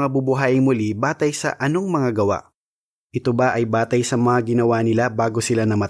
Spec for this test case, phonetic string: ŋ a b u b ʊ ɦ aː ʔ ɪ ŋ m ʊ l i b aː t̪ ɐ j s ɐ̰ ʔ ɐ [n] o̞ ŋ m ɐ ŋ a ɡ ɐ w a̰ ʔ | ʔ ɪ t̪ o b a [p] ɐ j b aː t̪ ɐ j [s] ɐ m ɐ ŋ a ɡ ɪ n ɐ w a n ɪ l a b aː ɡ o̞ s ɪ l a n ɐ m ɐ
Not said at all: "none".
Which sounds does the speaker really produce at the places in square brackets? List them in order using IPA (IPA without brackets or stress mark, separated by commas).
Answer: n, ʔ, s